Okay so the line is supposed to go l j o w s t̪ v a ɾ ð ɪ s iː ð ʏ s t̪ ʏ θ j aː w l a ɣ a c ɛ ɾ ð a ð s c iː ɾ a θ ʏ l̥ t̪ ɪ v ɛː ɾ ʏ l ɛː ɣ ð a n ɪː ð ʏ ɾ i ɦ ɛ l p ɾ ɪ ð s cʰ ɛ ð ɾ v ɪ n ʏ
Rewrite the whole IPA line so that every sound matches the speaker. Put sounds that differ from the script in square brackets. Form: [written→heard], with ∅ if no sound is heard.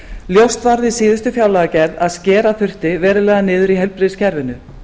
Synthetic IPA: l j o w s t̪ v a ɾ ð ɪ s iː ð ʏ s t̪ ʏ [θ→f] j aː w l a ɣ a c ɛ ɾ ð a ð s c [iː→ɛː] ɾ a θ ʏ [l̥→r̥] t̪ ɪ v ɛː ɾ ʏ l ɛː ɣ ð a n ɪː ð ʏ ɾ i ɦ ɛ l p ɾ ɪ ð s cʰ ɛ [ð→∅] ɾ v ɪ n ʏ